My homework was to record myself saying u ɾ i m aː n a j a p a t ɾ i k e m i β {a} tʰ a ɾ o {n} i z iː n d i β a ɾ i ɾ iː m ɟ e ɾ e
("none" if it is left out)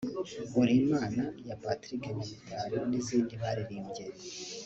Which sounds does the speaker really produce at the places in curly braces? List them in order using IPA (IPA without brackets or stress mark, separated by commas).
i, n